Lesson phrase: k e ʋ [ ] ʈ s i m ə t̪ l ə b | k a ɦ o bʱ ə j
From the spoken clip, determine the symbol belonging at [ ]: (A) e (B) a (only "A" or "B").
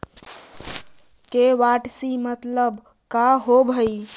B